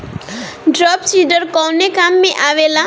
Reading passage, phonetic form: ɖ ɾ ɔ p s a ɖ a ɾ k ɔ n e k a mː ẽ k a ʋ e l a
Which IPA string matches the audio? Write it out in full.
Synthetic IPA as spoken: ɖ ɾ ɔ p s i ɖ ə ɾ k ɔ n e k a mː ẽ ʔ a ʋ e l a